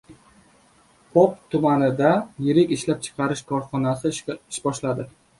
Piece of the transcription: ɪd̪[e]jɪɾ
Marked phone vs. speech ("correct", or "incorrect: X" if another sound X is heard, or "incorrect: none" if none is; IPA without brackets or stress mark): incorrect: a